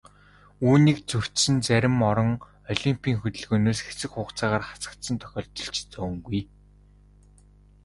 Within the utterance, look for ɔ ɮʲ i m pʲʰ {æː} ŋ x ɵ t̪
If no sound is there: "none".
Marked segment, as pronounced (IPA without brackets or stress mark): iː